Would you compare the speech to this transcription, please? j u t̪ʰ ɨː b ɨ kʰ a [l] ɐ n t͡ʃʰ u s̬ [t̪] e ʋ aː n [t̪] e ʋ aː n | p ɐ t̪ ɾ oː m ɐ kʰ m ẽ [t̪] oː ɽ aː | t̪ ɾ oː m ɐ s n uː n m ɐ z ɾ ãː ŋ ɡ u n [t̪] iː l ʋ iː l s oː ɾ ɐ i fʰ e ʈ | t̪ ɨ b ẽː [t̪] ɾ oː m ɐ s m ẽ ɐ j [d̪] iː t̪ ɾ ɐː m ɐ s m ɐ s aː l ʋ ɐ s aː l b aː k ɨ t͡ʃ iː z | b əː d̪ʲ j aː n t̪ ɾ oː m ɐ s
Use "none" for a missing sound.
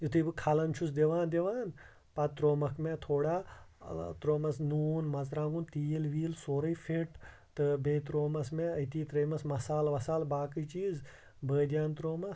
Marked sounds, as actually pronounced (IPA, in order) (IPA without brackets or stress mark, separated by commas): l, d̪, d̪, t̪ʰ, t̪, t̪, t̪